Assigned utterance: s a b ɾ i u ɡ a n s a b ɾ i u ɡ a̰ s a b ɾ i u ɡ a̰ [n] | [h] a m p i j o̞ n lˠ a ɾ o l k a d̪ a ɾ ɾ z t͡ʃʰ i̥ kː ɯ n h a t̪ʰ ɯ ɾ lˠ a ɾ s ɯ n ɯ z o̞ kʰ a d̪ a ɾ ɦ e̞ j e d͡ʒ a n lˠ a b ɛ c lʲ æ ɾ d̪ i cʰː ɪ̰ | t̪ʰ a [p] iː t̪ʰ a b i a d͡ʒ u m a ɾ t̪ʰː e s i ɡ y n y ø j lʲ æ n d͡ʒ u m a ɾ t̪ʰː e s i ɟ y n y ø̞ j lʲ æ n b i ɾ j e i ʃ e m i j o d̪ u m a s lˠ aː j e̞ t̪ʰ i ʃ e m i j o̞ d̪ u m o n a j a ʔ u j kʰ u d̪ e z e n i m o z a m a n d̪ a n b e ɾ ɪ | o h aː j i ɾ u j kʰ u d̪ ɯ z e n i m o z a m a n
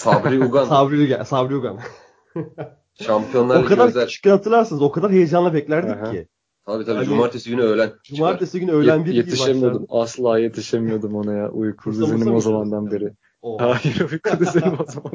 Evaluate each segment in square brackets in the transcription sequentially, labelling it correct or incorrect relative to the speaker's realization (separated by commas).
correct, incorrect, incorrect